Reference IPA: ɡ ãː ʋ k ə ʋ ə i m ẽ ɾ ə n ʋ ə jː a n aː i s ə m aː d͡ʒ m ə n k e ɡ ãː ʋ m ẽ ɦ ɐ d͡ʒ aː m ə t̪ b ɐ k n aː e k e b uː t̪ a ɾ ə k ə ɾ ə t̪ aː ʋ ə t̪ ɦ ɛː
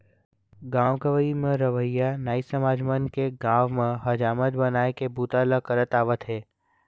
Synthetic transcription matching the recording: ɡ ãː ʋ k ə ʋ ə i m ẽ ɾ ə ʋ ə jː a n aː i s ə m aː d͡ʒ m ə n k e ɡ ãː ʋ m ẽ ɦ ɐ d͡ʒ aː m ə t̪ b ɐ n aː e k e b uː t̪ a l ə k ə ɾ ə t̪ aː ʋ ə t̪ ɦ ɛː